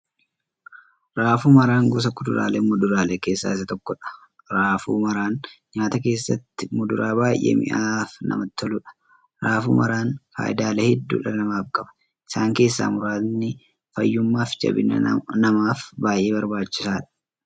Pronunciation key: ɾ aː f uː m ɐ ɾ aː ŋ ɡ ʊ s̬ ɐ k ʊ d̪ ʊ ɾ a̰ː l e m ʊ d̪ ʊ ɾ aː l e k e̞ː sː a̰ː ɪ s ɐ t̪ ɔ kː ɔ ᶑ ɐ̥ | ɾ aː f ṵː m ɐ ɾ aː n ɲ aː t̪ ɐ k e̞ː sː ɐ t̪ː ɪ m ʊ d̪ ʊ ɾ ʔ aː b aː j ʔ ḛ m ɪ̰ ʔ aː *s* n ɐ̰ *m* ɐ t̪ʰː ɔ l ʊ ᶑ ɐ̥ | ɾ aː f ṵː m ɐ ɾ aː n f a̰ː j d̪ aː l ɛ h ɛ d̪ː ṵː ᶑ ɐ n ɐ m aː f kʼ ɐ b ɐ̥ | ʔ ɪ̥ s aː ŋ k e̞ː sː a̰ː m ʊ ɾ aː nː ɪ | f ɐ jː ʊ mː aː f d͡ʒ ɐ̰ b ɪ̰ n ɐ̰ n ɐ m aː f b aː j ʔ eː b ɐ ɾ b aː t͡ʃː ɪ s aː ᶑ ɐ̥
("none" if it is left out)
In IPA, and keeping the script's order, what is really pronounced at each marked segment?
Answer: f, m

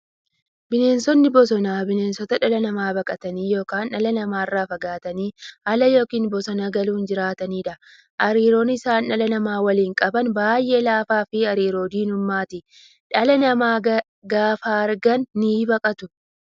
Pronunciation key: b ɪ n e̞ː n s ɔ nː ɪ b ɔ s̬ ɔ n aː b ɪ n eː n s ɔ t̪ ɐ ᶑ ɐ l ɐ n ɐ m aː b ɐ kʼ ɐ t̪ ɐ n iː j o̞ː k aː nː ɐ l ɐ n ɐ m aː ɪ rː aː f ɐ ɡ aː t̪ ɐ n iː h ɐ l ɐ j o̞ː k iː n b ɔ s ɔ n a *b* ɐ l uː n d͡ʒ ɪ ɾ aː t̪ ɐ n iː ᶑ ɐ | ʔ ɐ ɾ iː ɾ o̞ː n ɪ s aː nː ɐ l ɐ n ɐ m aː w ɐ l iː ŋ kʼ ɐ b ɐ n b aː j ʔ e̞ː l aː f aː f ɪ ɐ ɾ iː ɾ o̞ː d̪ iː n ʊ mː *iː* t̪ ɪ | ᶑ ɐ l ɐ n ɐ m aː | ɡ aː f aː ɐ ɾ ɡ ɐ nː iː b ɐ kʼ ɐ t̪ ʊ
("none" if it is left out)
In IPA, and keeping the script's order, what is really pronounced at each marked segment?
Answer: ɡ, aː

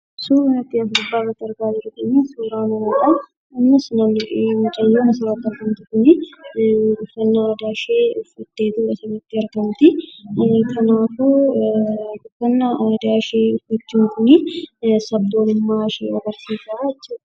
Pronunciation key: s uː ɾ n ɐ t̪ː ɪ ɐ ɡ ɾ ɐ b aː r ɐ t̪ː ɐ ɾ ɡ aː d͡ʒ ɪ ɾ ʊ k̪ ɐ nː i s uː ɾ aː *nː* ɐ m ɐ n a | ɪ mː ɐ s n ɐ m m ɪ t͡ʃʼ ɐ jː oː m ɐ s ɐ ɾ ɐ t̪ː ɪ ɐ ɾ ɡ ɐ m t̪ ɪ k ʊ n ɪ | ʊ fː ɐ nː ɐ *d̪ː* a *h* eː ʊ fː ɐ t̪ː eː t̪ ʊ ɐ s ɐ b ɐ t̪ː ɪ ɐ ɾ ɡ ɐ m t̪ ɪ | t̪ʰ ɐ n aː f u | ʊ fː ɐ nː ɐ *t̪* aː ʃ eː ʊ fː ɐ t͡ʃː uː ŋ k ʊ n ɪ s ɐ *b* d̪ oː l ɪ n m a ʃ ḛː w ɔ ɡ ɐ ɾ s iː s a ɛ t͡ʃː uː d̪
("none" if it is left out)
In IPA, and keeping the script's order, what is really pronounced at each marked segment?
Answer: n, d̪, ʃ, d̪, b

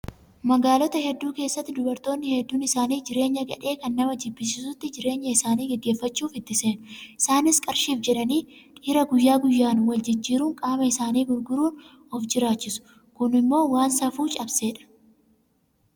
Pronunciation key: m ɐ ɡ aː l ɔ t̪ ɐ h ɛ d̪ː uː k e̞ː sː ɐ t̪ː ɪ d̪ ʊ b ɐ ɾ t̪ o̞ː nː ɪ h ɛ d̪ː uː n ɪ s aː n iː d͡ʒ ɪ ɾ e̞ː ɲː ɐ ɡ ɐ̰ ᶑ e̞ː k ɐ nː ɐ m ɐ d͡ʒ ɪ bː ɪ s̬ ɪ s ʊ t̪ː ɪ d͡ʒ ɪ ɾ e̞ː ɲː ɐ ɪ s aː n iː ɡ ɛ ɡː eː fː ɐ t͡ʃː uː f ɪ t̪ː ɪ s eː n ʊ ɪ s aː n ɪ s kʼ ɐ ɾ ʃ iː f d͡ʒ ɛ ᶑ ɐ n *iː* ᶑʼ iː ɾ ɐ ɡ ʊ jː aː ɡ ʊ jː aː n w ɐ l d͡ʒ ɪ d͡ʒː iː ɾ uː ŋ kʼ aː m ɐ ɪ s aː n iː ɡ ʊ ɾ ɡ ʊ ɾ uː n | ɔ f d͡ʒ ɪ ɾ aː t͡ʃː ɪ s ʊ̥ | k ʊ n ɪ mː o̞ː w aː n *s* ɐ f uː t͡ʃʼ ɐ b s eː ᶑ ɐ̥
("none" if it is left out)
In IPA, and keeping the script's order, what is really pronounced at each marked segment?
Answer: iː, s

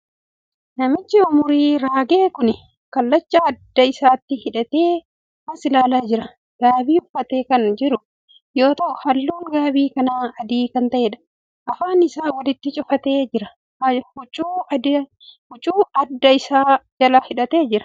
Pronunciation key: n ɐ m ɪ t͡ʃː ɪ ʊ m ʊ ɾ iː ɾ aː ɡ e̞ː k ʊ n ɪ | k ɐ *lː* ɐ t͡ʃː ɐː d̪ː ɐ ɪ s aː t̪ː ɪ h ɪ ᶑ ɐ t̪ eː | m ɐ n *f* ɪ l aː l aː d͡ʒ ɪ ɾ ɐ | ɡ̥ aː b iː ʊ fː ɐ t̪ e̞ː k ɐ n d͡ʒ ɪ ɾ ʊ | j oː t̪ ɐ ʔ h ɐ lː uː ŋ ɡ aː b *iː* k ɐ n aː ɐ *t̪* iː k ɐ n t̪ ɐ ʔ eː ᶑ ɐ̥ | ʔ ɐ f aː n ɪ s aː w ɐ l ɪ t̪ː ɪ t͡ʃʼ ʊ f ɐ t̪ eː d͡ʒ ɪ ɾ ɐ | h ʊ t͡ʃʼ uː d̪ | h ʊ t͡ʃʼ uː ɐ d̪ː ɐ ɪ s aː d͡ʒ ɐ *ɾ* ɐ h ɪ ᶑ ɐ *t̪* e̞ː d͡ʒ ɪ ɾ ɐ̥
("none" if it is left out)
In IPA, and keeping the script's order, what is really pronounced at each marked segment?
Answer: lː, s, iː, d̪, l, t̪

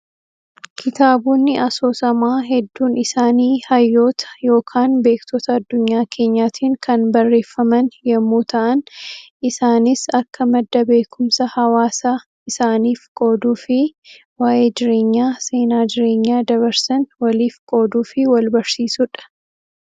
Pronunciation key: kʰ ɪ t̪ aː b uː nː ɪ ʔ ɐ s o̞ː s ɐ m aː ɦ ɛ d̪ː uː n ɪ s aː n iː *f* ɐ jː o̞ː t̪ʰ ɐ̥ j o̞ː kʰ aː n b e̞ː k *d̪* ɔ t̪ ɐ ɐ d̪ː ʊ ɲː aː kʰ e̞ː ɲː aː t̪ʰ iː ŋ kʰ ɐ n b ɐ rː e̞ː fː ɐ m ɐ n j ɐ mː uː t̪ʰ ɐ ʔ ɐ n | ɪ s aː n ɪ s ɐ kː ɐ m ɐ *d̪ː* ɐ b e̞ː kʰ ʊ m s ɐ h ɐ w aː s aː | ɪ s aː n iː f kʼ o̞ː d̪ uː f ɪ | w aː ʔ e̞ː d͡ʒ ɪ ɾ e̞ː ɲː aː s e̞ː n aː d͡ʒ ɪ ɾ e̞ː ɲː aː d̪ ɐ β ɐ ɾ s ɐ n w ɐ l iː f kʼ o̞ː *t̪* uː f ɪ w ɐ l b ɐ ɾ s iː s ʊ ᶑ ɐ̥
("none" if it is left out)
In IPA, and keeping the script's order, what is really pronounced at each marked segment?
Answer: h, t̪, d̪ː, d̪

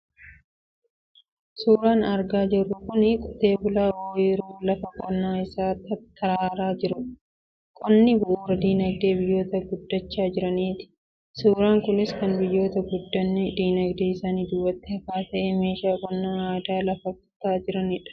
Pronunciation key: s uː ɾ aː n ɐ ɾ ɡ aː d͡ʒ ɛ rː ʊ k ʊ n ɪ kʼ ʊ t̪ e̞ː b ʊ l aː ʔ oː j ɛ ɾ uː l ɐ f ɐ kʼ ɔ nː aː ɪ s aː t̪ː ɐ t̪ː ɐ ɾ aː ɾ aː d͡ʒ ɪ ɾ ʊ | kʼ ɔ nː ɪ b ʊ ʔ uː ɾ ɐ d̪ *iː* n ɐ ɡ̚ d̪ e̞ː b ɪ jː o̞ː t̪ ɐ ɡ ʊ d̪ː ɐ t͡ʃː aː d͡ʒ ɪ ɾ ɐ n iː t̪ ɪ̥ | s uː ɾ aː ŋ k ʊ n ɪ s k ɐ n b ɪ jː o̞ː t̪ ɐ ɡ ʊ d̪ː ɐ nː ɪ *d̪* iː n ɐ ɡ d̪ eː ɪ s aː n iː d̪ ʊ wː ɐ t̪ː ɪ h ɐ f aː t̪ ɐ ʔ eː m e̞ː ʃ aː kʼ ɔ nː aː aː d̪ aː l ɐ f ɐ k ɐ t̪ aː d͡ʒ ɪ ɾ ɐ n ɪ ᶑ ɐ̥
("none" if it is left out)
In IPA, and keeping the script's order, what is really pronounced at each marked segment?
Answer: iː, d̪

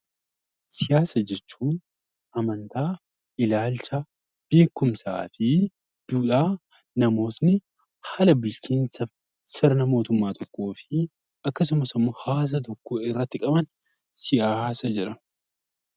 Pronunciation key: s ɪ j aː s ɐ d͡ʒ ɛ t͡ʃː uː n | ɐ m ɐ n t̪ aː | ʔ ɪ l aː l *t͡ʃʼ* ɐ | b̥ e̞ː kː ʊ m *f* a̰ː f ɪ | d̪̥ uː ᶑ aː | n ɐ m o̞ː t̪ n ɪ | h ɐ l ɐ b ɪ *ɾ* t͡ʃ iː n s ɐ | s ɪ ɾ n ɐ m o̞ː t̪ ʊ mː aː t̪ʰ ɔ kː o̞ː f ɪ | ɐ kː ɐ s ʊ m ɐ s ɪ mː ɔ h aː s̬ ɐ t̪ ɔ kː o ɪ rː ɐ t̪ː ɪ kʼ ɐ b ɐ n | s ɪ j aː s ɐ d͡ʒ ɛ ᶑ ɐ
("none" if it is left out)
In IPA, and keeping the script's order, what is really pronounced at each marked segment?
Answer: t͡ʃ, s, l

